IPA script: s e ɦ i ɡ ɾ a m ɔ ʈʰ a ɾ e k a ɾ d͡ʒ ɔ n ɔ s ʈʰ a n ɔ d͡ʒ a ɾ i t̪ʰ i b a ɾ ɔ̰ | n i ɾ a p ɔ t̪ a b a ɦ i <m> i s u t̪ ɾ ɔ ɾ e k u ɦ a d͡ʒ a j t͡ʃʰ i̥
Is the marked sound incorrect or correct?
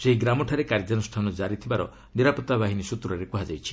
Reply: incorrect